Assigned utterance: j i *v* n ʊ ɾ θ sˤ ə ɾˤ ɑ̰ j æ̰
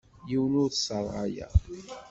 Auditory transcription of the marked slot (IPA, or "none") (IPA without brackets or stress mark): w